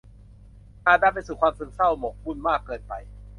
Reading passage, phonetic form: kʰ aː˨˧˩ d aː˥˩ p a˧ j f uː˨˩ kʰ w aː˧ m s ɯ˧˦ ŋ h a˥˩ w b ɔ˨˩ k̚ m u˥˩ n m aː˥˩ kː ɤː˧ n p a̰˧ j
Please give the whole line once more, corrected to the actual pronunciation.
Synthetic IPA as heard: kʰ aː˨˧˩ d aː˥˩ p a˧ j s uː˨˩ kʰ w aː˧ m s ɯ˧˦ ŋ s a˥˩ w m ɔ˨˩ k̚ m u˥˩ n m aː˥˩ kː ɤː˧ n p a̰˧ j